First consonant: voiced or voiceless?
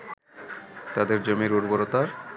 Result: voiceless